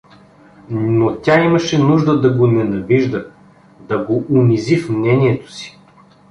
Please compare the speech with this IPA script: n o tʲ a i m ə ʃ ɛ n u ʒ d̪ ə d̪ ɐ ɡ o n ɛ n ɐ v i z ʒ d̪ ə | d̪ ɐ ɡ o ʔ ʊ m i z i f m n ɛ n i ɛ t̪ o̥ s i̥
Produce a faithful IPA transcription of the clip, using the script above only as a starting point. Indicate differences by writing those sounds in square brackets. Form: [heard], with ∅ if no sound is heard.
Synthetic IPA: n o tʲ a i m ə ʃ ɛ n u ʒ d̪ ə d̪ ɐ ɡ o n ɛ n ɐ v i [∅] ʒ d̪ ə | d̪ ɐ ɡ o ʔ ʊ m i z i f m n ɛ n i ɛ t̪ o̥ s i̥